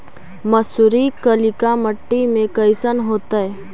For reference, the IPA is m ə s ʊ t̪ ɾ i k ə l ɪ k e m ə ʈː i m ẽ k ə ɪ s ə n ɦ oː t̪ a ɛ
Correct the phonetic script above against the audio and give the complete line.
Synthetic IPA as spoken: m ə s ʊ ɾ i k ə l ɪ k a m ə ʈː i m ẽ k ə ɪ s ə n ɦ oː t̪ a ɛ